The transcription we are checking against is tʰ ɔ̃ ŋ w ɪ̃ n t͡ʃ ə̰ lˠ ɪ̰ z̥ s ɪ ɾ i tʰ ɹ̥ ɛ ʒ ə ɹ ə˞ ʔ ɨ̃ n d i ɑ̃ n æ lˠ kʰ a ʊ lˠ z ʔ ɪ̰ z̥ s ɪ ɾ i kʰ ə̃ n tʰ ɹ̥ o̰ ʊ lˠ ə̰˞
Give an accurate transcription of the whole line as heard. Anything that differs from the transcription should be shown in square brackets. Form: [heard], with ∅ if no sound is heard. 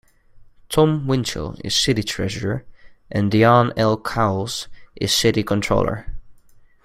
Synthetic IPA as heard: tʰ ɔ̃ [m] w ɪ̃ n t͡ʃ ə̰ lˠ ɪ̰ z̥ s ɪ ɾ i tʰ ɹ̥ ɛ ʒ ə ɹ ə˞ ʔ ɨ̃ n d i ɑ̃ n [ɛ] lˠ kʰ a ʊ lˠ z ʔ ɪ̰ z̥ s ɪ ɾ i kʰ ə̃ n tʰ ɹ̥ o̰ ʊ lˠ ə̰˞